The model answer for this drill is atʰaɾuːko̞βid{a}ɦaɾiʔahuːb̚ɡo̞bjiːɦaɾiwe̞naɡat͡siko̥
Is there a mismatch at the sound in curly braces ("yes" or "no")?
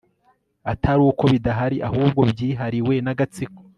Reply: no